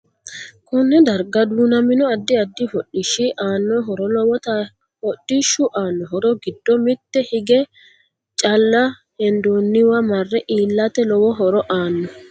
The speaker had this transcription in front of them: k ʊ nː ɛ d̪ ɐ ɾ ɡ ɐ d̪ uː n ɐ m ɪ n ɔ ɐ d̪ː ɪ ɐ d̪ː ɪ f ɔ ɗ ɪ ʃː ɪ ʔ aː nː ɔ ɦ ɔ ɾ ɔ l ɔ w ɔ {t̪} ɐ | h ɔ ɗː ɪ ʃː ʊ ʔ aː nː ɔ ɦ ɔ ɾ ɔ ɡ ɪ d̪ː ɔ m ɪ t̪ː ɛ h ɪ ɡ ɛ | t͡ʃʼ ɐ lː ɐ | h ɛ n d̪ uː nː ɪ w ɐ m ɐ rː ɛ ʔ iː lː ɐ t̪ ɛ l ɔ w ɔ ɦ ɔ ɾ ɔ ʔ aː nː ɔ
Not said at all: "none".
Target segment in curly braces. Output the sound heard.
t̪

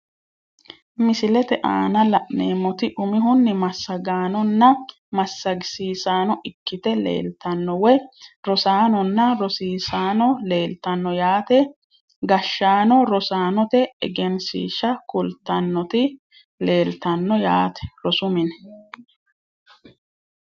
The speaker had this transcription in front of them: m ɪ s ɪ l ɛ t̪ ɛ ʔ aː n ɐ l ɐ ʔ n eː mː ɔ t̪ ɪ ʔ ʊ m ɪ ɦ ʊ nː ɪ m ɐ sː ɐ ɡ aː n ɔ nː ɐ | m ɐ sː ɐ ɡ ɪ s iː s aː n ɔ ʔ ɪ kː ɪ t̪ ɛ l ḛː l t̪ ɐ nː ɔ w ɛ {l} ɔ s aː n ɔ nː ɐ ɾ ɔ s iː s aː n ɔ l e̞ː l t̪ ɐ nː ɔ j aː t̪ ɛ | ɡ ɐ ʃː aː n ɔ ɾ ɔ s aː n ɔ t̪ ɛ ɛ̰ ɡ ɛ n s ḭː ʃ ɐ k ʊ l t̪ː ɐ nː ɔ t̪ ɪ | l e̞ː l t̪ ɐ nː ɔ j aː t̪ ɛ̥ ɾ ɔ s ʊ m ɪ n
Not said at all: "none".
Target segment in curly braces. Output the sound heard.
ɾ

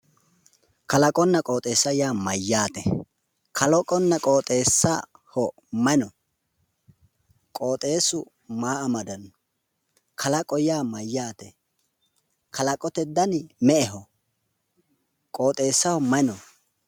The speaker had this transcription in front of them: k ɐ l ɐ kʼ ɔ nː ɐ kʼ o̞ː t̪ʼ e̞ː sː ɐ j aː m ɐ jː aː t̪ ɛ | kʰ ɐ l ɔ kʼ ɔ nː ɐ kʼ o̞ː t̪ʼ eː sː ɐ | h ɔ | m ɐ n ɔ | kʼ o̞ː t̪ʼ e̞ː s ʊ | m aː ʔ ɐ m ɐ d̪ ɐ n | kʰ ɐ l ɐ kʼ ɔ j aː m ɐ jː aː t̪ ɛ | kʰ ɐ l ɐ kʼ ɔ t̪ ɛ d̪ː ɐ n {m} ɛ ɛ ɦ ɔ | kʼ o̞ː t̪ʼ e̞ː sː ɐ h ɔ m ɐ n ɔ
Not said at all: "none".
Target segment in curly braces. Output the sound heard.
m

